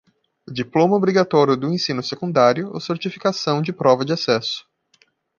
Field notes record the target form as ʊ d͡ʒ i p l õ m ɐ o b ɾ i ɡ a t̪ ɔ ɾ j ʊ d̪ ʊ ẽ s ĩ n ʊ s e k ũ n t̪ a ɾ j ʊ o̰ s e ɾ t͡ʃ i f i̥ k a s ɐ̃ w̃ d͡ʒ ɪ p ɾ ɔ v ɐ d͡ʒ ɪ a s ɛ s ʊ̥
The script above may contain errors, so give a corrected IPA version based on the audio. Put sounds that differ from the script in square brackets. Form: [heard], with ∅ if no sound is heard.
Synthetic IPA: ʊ d͡ʒ i p l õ m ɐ o b ɾ i ɡ a t̪ ɔ ɾ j ʊ d̪ ʊ ẽ s ĩ n ʊ s e k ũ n [d̪] a ɾ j ʊ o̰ s e ɾ t͡ʃ i f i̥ k a s ɐ̃ w̃ d͡ʒ ɪ p ɾ ɔ v ɐ d͡ʒ ɪ a s ɛ s ʊ̥